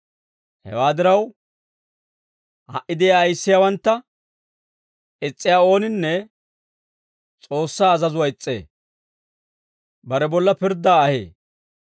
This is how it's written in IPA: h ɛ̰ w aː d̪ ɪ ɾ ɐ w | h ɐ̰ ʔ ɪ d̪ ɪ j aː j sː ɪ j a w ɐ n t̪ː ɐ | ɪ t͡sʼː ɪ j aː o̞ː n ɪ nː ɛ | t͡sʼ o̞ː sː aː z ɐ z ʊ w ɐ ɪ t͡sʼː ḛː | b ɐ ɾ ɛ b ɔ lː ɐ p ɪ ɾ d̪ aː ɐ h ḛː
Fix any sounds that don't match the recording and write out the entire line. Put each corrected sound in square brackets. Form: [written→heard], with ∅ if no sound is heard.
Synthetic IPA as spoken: h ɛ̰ w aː d̪ ɪ ɾ ɐ w | h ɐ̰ ʔ ɪ d̪ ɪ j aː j sː ɪ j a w ɐ n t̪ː ɐ | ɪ t͡sʼː ɪ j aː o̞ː n ɪ nː ɛ | t͡sʼ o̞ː sː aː z ɐ z ʊ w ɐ ɪ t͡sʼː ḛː | b ɐ ɾ ɛ b ɔ lː ɐ p ɪ ɾ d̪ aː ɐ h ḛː